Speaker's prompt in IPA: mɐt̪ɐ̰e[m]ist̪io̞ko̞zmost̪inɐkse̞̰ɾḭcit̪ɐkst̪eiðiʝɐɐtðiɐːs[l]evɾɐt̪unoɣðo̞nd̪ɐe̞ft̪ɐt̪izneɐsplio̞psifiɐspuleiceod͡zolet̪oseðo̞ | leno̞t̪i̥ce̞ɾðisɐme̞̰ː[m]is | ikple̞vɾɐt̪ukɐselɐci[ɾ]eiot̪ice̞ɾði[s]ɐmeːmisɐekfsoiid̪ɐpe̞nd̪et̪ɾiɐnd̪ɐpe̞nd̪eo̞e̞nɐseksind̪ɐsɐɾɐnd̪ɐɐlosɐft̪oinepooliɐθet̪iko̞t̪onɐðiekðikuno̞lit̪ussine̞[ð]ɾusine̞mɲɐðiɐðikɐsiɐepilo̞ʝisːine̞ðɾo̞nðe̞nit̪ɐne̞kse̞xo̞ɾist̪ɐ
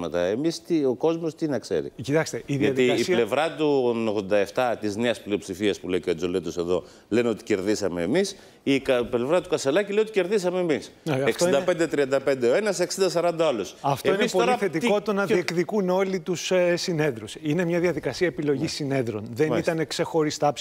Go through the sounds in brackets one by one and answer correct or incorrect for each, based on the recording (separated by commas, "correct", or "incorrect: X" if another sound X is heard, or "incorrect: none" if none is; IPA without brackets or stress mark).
correct, correct, correct, incorrect: l, correct, correct